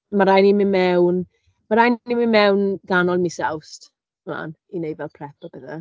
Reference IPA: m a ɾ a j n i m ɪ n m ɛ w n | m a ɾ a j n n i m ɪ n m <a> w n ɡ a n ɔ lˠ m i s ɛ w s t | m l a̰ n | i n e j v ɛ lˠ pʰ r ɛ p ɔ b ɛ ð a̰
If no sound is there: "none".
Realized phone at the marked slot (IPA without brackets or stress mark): ɛ